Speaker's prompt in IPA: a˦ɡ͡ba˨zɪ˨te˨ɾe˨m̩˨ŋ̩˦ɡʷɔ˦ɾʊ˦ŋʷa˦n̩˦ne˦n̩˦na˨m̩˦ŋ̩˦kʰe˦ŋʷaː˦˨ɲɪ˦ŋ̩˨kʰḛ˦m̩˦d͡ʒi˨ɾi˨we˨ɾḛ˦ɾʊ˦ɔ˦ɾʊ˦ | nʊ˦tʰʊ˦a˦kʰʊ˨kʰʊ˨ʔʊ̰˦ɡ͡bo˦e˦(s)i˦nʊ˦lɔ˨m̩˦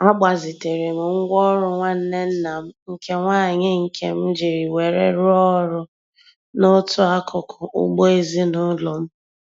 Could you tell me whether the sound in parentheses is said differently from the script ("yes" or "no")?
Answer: yes